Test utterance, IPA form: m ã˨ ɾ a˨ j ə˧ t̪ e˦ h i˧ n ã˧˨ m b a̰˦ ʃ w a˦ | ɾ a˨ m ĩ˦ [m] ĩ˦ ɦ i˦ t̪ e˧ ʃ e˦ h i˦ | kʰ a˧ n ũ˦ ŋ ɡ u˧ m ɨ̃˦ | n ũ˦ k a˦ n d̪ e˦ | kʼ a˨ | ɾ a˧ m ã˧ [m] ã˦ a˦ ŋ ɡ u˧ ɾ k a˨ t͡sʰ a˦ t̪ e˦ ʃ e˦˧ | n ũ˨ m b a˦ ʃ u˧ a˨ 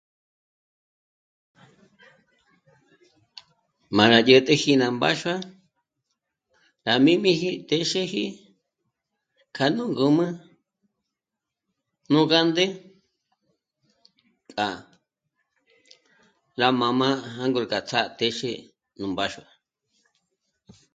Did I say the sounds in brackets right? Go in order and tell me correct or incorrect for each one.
correct, correct

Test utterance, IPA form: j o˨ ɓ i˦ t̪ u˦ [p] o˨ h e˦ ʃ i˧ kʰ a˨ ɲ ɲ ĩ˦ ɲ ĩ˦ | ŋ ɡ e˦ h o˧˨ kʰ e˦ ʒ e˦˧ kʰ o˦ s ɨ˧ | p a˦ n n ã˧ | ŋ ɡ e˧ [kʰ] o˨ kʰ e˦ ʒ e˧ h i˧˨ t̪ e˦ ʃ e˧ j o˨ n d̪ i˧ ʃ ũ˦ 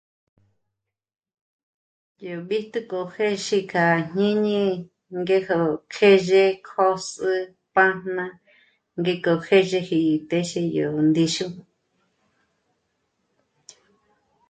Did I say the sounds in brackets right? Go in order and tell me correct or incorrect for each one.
incorrect: k, incorrect: k

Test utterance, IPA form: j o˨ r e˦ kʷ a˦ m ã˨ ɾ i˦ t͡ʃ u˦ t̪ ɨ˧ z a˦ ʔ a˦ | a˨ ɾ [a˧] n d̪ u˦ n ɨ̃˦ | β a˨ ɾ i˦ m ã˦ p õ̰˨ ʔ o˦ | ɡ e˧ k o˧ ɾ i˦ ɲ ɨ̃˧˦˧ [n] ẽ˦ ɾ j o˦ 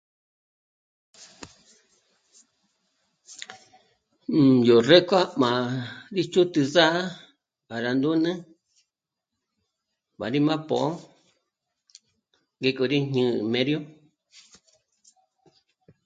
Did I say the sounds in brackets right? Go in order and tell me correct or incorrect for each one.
correct, incorrect: m

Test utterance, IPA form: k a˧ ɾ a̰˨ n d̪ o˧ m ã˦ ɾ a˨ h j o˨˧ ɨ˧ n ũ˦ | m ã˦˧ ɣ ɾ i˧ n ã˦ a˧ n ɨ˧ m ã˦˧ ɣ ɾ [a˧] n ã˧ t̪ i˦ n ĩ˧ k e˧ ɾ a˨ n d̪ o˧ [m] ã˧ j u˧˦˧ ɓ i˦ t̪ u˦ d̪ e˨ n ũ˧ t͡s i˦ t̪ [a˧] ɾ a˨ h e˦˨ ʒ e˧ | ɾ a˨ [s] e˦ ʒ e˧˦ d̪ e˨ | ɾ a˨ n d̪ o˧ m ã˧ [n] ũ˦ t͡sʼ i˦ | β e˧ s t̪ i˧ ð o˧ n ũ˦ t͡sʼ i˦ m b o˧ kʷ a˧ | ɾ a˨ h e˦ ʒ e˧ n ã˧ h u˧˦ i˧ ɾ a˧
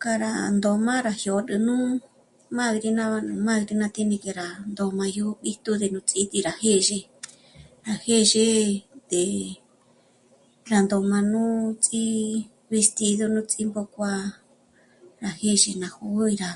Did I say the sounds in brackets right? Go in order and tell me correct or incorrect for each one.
incorrect: i˧, correct, incorrect: i˧, incorrect: h, correct

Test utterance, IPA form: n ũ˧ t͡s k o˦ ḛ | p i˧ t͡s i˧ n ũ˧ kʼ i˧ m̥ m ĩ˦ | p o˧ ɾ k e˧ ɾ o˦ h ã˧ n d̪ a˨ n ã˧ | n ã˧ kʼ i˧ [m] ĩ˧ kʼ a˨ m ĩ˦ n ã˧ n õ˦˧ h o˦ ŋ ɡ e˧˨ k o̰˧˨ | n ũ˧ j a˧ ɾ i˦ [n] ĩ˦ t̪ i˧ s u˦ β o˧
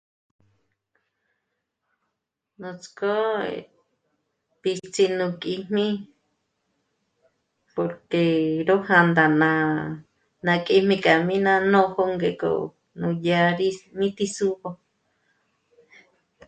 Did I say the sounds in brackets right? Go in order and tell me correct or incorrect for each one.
correct, incorrect: m

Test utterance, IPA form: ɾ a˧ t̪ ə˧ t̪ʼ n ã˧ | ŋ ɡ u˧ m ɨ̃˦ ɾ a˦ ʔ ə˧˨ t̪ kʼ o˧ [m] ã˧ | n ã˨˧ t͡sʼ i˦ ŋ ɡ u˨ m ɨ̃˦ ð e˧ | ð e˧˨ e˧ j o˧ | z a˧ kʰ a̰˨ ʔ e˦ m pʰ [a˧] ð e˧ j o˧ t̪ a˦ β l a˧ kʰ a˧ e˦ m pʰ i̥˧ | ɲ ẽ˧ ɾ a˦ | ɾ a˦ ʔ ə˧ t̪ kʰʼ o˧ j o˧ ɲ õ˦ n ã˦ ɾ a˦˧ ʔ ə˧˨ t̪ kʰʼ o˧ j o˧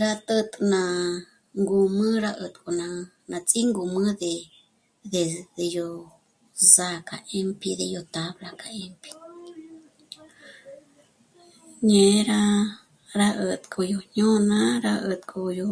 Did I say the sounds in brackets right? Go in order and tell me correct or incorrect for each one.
incorrect: n, incorrect: i˧

